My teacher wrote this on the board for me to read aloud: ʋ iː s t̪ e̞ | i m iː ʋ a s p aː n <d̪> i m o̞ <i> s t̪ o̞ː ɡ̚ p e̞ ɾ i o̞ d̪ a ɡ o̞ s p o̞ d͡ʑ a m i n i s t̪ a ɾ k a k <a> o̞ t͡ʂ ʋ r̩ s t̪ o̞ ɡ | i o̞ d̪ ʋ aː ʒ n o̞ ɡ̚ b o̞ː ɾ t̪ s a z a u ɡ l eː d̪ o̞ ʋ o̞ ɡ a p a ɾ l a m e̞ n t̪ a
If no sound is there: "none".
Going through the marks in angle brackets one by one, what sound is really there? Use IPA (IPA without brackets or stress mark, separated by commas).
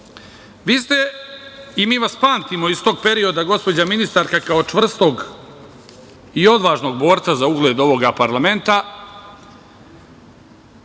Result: t̪, i, a